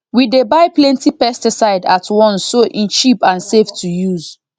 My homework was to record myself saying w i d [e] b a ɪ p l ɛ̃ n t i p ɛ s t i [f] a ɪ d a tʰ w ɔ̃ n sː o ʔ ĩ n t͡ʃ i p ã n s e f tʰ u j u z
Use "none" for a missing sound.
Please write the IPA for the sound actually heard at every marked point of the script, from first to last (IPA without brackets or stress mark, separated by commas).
e, s